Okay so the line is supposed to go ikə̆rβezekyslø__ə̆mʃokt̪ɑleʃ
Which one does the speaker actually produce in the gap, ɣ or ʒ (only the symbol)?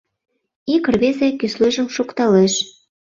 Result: ʒ